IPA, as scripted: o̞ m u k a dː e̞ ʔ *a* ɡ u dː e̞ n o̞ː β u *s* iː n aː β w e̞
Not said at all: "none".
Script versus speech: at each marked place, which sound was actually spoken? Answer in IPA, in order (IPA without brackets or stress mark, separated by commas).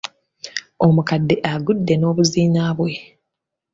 a, z